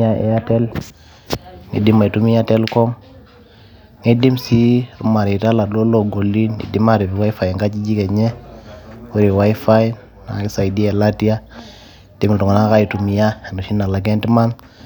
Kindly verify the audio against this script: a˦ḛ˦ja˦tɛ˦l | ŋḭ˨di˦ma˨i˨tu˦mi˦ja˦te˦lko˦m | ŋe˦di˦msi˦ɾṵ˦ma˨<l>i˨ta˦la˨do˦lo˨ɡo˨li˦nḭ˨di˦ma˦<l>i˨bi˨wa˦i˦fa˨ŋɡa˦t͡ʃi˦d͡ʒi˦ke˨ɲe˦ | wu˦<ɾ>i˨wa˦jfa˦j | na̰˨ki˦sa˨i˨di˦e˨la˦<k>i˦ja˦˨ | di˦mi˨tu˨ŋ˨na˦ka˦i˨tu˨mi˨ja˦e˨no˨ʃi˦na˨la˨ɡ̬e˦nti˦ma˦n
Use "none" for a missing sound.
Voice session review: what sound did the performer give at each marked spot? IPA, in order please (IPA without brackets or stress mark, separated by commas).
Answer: ɾ, ɾ, ɾ, t